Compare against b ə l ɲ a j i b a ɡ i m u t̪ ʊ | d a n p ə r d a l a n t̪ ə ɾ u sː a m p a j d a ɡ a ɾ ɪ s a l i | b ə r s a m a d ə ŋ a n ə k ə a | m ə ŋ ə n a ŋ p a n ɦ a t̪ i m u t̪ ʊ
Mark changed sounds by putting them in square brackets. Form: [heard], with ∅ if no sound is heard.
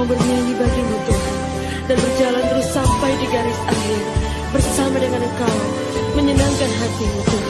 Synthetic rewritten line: b ə [r] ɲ a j i b a ɡ i m u t̪ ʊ | d a n [b] ə r [d͡ʒ] a l a n t̪ ə ɾ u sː a m p a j d [i] ɡ a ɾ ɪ s a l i | b ə r s a m a d ə ŋ a n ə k [a] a | m ə [ɲ] ə n a ŋ [k] a n ɦ a t̪ i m u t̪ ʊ